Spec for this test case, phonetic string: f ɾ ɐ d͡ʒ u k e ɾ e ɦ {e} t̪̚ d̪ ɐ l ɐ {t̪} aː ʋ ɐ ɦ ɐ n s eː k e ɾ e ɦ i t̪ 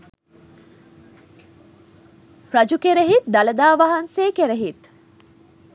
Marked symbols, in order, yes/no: no, no

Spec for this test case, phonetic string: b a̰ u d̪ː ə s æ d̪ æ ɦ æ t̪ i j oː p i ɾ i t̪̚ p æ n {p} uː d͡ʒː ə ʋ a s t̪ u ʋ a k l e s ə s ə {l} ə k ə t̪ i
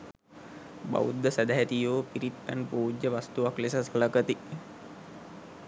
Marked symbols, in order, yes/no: yes, yes

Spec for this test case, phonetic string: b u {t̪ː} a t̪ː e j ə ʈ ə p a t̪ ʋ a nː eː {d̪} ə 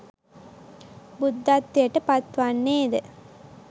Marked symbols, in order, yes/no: no, yes

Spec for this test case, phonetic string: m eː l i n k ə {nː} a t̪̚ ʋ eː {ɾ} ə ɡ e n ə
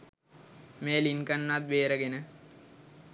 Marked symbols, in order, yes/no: yes, yes

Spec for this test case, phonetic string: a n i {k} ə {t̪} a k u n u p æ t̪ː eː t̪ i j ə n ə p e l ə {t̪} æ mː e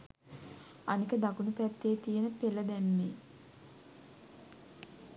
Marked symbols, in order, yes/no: yes, no, no

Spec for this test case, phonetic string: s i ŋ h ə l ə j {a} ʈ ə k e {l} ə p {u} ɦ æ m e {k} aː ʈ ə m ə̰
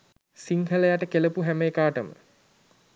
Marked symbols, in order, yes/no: yes, yes, yes, yes

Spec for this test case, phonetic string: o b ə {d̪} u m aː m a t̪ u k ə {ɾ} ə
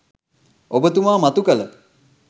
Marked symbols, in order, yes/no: no, no

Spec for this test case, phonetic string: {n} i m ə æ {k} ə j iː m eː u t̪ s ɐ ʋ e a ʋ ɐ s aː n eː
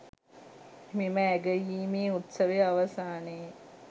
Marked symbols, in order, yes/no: no, no

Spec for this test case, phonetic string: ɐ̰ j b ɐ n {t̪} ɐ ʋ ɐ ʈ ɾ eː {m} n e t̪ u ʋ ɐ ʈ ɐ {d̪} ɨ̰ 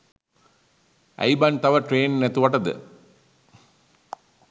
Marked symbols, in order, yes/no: yes, no, yes

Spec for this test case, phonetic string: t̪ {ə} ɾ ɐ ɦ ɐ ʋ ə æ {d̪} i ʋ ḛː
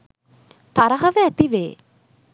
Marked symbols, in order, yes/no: no, no

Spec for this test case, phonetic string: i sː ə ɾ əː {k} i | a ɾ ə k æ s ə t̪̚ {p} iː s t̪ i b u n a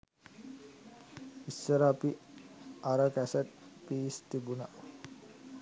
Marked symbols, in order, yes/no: no, yes

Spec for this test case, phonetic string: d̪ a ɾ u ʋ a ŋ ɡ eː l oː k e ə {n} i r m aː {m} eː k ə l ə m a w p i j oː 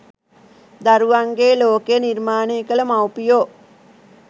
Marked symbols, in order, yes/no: yes, no

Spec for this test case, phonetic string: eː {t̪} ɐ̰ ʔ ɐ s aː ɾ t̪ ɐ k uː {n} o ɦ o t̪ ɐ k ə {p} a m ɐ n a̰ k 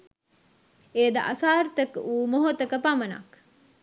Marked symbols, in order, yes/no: no, no, yes

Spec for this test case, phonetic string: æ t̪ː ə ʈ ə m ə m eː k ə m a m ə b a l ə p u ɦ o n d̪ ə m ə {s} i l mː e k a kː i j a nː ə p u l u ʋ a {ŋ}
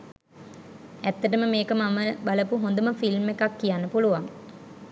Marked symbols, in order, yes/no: no, yes

